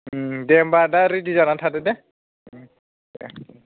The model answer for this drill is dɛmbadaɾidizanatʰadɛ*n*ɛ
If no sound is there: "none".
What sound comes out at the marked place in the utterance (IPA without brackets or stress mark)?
d